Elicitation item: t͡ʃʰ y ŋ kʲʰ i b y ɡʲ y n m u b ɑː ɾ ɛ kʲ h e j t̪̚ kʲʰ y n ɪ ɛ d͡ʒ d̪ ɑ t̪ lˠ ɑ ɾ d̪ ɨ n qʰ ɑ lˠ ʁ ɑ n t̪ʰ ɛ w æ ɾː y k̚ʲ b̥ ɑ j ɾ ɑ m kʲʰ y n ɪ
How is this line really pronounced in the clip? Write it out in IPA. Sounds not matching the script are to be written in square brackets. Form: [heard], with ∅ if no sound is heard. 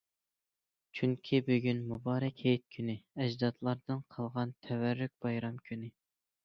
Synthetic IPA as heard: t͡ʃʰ y ŋ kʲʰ i b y ɡʲ y n m u b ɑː ɾ ɛ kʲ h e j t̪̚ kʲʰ y n ɪ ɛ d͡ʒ d̪ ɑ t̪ lˠ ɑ ɾ d̪ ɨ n qʰ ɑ lˠ ʁ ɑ n t̪ʰ ɛ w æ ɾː y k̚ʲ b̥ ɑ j ɾ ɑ m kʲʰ y n ɪ